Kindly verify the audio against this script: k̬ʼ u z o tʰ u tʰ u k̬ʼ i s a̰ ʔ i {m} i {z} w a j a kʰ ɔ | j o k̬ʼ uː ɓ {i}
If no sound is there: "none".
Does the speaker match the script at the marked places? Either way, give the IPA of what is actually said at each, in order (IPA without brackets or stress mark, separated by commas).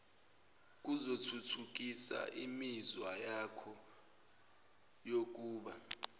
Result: m, z, a